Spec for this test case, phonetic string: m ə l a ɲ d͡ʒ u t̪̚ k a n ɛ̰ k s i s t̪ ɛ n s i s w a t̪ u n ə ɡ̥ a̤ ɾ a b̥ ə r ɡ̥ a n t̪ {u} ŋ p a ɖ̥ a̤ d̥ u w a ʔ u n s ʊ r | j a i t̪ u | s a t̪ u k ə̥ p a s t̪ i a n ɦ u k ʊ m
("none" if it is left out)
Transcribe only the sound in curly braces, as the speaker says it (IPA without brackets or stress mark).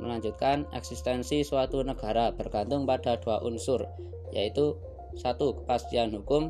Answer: ʊ